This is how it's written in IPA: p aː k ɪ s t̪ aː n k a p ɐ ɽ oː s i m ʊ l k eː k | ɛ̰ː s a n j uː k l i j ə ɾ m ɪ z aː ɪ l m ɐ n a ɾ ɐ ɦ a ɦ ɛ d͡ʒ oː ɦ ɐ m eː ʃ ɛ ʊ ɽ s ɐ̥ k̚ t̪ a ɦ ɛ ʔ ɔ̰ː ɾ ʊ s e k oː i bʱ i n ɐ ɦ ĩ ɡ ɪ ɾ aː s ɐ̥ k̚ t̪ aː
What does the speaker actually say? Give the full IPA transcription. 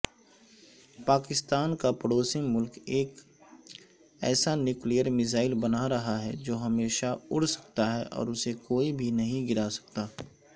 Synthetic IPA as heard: p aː k ɪ s t̪ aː n k a p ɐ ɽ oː s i m ʊ l k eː k | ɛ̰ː s a n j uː k l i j ə ɾ m ɪ z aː ɪ l b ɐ n a ɾ ɐ ɦ a ɦ ɛ d͡ʒ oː ɦ ɐ m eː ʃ a ʊ ɽ s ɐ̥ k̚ t̪ a ɦ ɛ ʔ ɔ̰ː ɾ ʊ s e k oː i bʱ i n ɐ ɦ ĩ ɡ ɪ ɾ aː s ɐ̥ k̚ t̪ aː